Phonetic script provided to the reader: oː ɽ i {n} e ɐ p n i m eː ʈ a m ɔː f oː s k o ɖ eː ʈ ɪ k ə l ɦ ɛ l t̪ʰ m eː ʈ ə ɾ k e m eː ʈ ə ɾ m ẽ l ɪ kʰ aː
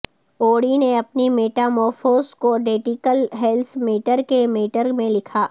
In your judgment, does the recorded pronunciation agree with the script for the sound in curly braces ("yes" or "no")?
yes